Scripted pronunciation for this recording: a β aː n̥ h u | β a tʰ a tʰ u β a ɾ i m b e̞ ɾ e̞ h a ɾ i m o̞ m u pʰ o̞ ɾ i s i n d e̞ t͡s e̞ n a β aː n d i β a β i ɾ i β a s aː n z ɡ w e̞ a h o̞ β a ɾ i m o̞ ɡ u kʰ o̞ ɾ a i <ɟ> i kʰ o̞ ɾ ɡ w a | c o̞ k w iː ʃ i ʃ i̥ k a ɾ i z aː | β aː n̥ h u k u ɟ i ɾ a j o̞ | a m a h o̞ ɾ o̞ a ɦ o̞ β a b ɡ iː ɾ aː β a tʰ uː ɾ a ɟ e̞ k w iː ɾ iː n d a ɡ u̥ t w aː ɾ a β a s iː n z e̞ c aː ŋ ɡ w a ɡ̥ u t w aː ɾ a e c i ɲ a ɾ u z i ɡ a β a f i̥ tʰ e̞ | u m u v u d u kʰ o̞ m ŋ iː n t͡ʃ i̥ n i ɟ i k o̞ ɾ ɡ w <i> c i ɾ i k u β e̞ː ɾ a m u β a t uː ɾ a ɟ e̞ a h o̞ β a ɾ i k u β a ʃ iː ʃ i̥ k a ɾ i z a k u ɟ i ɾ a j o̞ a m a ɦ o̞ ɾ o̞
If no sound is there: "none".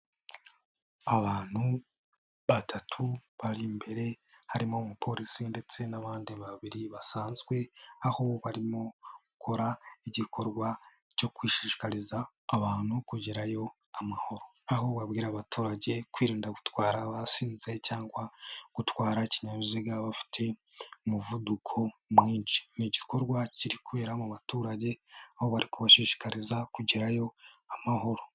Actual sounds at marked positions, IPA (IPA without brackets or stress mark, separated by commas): ɟ, a